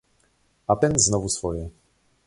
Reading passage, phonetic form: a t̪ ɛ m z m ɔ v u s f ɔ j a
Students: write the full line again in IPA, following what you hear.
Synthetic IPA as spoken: a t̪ ɛ n z n ɔ v u s f ɔ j ɛ